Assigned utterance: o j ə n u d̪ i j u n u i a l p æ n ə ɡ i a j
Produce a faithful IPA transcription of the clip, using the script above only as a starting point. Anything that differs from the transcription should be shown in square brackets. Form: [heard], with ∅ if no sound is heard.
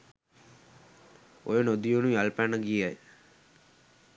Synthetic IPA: o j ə n [o] d̪ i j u n u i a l p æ n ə ɡ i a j

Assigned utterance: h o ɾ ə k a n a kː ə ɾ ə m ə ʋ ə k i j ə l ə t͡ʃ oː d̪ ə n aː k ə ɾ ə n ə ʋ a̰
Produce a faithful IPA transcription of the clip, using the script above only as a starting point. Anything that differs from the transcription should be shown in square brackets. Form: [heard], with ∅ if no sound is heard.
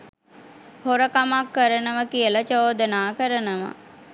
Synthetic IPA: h o ɾ ə k a [m] a kː ə ɾ ə [n] ə ʋ ə k i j ə l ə t͡ʃ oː d̪ ə n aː k ə ɾ ə n ə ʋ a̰

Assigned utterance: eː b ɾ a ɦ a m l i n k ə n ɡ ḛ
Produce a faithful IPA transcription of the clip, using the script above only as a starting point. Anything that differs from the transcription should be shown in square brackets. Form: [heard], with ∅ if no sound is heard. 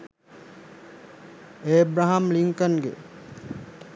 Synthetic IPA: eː b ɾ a ɦ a m l i [ŋ] k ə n ɡ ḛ

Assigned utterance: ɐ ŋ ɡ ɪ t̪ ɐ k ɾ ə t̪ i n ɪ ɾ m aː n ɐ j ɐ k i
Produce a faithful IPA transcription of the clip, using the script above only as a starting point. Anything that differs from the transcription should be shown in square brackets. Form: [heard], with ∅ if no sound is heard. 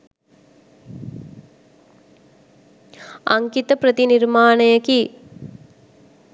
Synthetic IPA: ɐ ŋ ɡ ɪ t̪ ɐ [p] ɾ [ɐ] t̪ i n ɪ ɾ m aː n ɐ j ɐ k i

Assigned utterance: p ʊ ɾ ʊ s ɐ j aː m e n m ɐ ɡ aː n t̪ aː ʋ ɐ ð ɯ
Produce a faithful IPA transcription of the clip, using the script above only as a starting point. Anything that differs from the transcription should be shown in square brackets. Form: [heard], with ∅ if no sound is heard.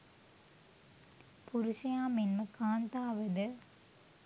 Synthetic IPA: p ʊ ɾ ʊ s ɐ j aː m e n m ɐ [k] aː n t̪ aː ʋ ɐ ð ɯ

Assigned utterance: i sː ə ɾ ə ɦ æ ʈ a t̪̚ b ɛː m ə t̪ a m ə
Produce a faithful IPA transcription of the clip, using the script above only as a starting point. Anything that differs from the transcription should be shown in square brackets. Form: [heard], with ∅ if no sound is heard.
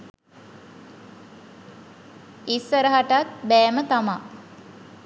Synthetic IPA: i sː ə ɾ ə ɦ [a] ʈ a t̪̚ b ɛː m ə t̪ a m [a]

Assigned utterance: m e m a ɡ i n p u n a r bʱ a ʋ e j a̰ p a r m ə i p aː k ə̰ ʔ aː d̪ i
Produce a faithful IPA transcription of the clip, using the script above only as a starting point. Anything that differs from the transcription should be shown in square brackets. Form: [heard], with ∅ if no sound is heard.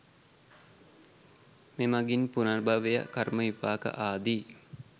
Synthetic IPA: m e m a ɡ i n p u n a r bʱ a ʋ e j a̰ [k] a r m ə i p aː k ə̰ ʔ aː d̪ i

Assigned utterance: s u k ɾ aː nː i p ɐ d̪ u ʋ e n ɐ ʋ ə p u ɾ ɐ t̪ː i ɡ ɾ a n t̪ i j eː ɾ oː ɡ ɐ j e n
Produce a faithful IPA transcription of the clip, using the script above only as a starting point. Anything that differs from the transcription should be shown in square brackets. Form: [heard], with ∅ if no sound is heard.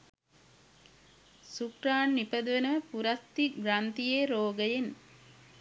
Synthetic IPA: s u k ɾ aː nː i p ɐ d̪ u ʋ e n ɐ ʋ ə p u ɾ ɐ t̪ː i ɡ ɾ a n t̪ i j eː ɾ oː ɡ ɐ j e n

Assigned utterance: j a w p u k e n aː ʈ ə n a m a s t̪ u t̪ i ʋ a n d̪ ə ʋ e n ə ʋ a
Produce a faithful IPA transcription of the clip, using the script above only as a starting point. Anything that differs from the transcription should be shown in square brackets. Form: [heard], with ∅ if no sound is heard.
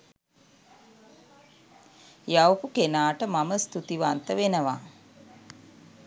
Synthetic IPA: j a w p u k e n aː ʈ ə [m] a m [ə] s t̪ u t̪ i ʋ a n [t̪] ə ʋ e n ə ʋ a

